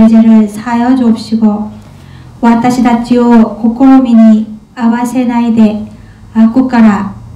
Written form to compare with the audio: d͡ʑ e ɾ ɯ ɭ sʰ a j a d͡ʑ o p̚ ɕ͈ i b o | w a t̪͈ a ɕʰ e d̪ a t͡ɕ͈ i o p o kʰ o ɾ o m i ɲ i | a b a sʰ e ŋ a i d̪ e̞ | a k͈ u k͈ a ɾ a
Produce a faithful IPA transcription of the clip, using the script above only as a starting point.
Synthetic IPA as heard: d͡ʑ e ɾ ɯ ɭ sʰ a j ʌ d͡ʑ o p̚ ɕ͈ i ɡ o | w a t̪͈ a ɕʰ i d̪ a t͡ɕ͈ i o k o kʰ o ɾ o m i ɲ i | a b a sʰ e n a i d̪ e̞ | a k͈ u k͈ a ɾ a

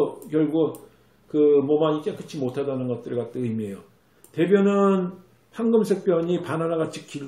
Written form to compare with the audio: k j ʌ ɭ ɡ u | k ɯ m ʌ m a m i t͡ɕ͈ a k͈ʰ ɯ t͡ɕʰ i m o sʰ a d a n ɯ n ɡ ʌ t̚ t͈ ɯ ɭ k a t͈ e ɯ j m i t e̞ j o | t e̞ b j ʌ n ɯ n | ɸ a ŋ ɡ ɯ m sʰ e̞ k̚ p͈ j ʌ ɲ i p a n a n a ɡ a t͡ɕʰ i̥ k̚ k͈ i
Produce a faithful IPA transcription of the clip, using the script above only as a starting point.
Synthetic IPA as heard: k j ʌ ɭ ɡ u | k ɯ m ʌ m a ɲ i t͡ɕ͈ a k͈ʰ ɯ t͡ɕʰ i m o tʰ a d a n ɯ n ɡ ʌ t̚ t͈ ɯ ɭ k a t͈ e ɯ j m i e̞ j o | t e̞ b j ʌ n ɯ n | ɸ a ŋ ɡ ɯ m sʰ e̞ k̚ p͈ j ʌ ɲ i p a n a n a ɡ a t͡ɕʰ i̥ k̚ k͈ i

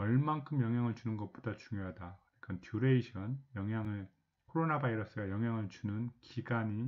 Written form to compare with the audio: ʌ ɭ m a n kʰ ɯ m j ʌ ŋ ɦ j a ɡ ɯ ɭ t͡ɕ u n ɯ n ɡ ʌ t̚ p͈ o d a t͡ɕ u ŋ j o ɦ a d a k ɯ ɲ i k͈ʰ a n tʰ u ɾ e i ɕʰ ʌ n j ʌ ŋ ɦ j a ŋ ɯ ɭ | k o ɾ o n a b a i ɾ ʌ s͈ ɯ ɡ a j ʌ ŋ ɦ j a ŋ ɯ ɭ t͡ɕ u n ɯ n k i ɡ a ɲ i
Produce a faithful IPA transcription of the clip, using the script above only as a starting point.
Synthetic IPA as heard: ʌ ɭ m a n kʰ ɯ m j ʌ ŋ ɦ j a ŋ ɯ ɭ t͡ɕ u n ɯ n ɡ ʌ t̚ p͈ o d a t͡ɕ u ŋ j o ɦ a d a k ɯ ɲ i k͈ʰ a n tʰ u ɾ e i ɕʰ ʌ n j ʌ ŋ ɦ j a ŋ ɯ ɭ | kʰ o ɾ o n a b a i ɾ ʌ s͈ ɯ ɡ a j ʌ ŋ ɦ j a ŋ ɯ ɭ t͡ɕ u n ɯ n k i ɡ a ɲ i

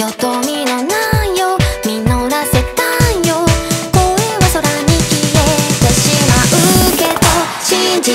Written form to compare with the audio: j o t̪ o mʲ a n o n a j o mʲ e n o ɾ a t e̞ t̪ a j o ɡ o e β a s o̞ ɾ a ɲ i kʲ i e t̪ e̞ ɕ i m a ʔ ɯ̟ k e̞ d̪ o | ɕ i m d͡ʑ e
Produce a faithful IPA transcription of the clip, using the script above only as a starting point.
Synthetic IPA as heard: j o t̪ o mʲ i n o n a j o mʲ i n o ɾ a s e̞ t̪ a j o k o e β a s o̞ ɾ a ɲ i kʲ i e t̪ e̞ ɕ i m a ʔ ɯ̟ k e̞ d̪ o | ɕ i ɲ d͡ʑ i

